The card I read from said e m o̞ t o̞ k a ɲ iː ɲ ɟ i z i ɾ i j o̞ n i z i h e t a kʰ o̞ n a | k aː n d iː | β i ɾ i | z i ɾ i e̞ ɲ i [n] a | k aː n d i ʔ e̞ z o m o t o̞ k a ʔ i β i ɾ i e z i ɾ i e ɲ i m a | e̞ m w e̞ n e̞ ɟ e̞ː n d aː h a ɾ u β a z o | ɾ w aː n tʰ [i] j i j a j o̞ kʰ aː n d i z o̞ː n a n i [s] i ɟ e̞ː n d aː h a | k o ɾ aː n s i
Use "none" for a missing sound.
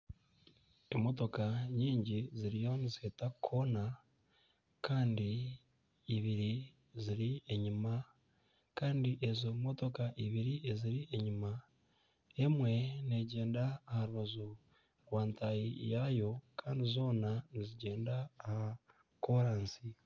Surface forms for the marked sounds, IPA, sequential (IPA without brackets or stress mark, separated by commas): m, a, z